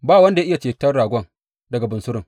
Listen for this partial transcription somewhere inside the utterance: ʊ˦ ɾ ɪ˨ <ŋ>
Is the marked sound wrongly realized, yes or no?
no